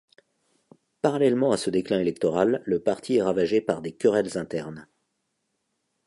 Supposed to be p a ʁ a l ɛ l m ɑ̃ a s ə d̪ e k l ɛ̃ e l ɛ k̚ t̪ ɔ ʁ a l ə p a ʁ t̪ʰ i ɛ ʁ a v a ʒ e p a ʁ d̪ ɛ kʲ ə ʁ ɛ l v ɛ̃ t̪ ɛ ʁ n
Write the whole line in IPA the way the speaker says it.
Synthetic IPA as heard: p a ʁ a l ɛ l m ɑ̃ a s ə d̪ e k l ɛ̃ e l ɛ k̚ t̪ ɔ ʁ a lː ə p a ʁ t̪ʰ i ɛ ʁ a v a ʒ e p a ʁ d̪ e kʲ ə ʁ ɛ l z ɛ̃ t̪ ɛ ʁ n